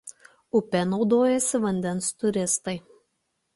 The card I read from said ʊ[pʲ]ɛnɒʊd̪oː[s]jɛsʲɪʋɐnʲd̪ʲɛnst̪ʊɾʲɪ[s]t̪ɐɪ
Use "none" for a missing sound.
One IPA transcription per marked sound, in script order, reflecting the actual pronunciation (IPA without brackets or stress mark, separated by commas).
pʲ, none, s